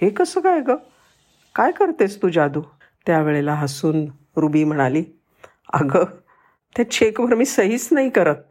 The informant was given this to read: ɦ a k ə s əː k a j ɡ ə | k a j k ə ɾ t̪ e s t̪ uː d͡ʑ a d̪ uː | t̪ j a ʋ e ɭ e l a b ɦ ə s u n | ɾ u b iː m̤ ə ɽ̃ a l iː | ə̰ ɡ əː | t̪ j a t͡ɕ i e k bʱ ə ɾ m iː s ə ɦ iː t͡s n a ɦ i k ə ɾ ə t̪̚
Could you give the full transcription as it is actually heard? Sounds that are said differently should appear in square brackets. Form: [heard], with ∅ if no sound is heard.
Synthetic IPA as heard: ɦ [e] k ə s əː k a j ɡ ə | k a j k ə ɾ t̪ e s t̪ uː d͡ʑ a d̪ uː | t̪ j a ʋ e ɭ e l a [∅] ɦ ə s [uː] n | ɾ u b iː m̤ ə ɽ̃ a l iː | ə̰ ɡ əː | t̪ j a t͡ɕ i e k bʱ ə ɾ m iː s ə ɦ iː t͡s n a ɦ i k ə ɾ ə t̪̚